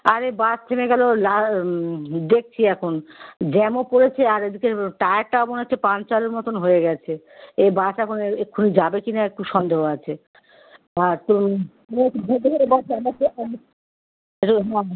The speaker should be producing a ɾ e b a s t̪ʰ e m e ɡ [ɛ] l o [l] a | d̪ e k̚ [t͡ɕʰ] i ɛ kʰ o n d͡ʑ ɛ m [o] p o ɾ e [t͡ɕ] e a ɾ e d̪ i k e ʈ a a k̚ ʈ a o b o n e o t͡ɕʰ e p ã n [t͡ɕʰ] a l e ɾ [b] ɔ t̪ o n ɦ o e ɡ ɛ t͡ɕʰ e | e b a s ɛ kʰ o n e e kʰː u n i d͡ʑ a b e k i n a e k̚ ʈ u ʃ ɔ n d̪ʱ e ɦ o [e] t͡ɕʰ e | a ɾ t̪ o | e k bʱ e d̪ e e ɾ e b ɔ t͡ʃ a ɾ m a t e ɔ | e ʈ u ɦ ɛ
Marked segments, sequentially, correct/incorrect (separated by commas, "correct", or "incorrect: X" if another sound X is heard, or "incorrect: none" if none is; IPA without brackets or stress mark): correct, correct, correct, correct, incorrect: t͡ɕʰ, incorrect: t͡ɕ, incorrect: m, incorrect: a